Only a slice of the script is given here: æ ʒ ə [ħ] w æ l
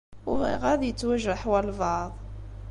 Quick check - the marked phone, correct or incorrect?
correct